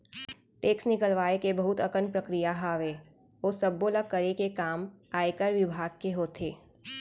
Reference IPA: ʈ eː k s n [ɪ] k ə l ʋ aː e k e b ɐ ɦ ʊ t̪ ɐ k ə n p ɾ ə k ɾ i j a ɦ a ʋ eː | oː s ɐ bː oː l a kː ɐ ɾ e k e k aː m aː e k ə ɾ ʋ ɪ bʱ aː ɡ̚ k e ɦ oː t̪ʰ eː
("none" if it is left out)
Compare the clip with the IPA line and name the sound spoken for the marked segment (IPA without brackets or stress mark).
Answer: ɪ